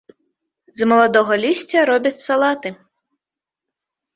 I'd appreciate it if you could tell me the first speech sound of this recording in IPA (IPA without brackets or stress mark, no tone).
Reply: z